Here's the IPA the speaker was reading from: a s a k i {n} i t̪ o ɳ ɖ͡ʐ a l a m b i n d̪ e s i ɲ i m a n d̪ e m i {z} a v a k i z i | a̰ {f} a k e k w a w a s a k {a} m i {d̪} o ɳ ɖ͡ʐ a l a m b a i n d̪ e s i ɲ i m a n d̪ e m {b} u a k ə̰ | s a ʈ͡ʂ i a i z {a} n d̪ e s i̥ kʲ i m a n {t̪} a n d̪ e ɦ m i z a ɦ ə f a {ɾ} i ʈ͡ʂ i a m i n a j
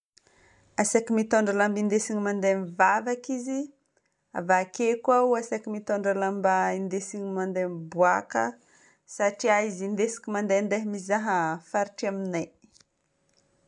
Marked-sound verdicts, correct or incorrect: incorrect: m, incorrect: v, incorrect: v, incorrect: i, incorrect: t̪, correct, incorrect: i, incorrect: d̪, correct

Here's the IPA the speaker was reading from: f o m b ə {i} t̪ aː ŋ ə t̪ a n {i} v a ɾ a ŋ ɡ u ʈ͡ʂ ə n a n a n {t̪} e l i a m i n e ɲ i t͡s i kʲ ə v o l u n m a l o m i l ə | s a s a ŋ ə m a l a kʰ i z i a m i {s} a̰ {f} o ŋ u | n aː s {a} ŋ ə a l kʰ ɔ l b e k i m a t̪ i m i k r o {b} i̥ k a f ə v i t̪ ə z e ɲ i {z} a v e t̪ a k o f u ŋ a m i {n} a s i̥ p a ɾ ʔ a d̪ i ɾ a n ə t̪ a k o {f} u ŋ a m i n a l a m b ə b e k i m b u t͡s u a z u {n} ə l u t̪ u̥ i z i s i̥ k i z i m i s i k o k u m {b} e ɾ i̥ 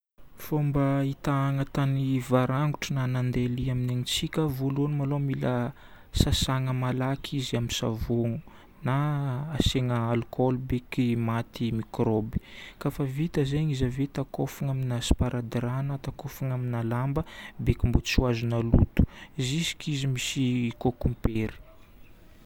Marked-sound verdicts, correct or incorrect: correct, correct, incorrect: d̪, correct, incorrect: v, incorrect: e, correct, correct, correct, correct, correct, incorrect: p

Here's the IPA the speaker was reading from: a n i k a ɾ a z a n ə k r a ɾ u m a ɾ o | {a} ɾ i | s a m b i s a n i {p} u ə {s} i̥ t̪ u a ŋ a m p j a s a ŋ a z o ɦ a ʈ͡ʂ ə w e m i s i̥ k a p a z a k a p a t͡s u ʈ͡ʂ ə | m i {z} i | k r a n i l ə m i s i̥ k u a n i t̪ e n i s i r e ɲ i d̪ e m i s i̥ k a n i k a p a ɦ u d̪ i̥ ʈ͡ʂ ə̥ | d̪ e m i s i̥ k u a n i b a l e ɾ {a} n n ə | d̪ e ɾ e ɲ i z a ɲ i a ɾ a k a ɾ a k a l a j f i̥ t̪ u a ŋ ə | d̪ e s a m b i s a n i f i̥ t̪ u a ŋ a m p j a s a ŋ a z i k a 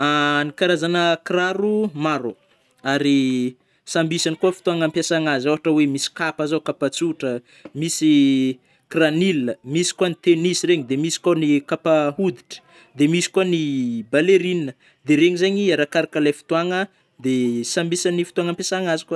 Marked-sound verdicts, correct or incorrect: correct, incorrect: k, incorrect: f, incorrect: s, incorrect: i

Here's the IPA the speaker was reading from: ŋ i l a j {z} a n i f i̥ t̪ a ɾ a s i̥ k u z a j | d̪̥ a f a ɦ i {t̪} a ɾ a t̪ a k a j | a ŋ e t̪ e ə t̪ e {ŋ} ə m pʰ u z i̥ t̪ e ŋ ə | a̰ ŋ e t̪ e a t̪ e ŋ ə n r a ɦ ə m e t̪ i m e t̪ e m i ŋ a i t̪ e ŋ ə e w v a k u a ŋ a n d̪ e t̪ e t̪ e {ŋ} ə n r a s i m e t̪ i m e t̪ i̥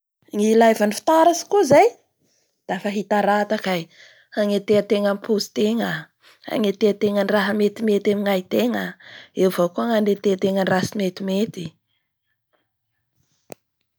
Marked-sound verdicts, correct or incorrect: incorrect: v, correct, correct, correct

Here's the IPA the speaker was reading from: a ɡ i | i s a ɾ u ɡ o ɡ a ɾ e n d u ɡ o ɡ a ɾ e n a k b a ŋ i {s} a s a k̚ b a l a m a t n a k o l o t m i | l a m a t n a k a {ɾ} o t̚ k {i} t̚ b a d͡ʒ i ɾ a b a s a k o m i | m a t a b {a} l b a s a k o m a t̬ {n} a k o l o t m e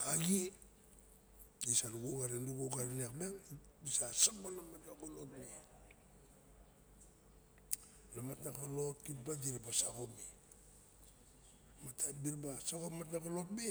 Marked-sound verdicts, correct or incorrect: correct, incorrect: l, correct, incorrect: i, correct

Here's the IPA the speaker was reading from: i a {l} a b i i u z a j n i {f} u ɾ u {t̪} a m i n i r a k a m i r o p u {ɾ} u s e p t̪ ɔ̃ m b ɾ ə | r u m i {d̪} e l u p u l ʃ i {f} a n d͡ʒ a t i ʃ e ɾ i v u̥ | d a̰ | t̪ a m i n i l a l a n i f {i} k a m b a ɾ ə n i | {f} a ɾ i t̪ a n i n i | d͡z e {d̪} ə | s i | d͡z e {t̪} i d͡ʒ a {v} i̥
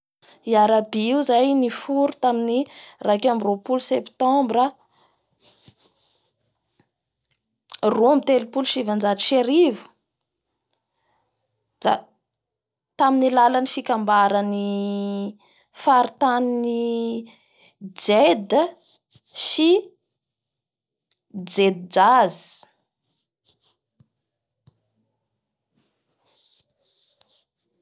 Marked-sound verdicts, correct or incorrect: incorrect: ɾ, correct, correct, incorrect: l, incorrect: t̪, incorrect: v, correct, correct, correct, incorrect: d̪, incorrect: z

